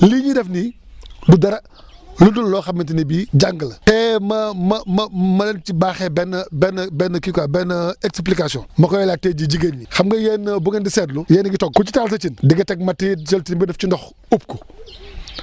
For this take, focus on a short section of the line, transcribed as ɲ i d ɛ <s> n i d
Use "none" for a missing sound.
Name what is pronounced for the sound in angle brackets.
f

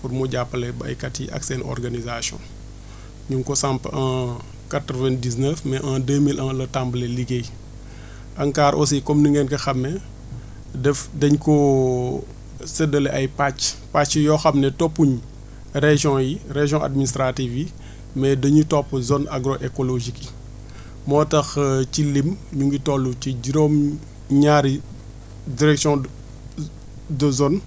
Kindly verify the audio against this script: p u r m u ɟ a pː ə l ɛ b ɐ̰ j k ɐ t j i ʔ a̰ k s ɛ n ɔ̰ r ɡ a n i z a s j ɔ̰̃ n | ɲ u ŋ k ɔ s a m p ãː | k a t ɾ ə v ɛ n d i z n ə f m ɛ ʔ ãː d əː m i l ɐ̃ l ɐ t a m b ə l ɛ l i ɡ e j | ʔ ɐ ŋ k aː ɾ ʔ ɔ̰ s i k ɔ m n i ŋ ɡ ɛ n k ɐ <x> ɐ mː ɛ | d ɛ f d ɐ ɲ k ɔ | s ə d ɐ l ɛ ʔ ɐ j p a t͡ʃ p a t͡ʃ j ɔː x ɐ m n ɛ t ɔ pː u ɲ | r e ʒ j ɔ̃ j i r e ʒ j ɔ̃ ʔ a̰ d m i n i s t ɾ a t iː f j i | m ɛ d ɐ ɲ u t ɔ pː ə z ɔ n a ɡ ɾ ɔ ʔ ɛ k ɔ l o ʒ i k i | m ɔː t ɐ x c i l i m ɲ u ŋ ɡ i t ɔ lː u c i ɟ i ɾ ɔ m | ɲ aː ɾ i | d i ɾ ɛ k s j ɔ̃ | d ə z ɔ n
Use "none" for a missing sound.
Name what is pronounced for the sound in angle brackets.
x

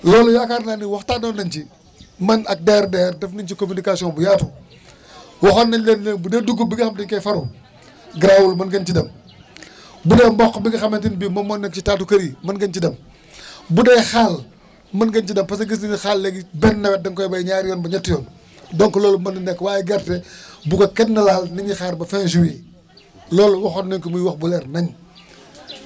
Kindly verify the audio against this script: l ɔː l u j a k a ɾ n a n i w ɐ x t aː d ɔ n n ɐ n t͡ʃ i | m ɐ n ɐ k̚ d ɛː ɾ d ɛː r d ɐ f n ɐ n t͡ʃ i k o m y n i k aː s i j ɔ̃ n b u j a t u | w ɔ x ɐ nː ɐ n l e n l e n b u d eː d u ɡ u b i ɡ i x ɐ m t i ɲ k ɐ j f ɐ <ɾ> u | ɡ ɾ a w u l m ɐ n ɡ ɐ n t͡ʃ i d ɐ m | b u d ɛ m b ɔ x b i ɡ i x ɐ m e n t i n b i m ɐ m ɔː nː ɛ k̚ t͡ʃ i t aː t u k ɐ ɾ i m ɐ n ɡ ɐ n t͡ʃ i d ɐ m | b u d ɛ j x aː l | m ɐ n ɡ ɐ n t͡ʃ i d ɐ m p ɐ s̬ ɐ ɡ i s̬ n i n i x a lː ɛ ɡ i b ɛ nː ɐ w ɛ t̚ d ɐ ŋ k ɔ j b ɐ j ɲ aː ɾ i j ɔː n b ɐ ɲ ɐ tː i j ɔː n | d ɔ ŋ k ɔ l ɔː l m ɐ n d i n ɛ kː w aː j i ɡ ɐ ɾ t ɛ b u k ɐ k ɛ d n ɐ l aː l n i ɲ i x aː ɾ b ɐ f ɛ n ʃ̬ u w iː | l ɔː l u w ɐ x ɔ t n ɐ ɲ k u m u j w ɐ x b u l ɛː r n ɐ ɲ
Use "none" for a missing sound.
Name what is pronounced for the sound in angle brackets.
ɾ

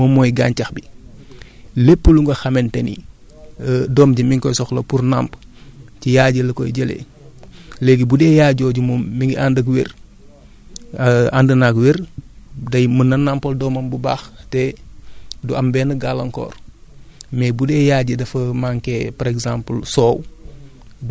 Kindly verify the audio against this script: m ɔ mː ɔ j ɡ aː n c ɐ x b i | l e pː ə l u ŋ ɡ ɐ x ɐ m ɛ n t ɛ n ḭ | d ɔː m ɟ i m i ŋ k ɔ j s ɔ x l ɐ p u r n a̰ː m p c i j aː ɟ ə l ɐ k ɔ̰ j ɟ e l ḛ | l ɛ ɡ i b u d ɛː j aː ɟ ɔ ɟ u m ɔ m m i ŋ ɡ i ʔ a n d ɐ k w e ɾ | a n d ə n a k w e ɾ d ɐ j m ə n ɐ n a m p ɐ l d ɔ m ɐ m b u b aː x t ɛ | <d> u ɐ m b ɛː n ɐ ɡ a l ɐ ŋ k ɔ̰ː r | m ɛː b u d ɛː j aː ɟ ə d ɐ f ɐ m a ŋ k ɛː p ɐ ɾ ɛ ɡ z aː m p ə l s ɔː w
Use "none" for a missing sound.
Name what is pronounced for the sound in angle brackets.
d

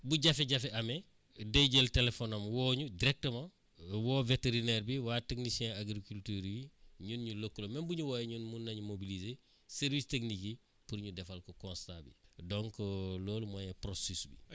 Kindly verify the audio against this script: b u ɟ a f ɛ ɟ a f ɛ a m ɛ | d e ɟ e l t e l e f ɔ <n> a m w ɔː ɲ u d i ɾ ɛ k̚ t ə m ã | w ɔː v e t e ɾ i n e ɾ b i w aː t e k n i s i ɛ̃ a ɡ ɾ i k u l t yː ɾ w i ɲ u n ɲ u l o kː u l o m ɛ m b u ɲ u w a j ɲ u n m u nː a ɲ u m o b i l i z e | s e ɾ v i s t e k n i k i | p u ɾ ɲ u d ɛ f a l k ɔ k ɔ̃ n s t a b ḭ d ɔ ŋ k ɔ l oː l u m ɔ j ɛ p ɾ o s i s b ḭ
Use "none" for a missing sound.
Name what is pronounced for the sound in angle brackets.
n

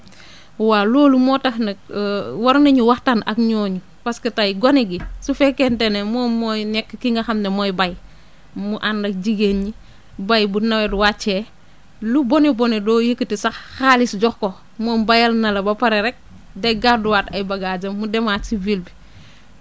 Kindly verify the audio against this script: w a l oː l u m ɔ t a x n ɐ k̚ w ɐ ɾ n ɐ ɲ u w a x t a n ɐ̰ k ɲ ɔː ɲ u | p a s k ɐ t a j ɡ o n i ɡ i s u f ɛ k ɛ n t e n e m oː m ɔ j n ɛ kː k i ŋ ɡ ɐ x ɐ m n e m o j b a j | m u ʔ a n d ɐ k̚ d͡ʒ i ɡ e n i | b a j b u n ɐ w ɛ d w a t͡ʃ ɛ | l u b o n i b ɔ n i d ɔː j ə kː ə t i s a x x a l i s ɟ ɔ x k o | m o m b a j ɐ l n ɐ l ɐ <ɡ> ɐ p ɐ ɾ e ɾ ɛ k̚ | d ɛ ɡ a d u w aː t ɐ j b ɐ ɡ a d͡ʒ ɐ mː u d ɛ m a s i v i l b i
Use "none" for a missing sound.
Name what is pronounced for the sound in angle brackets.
b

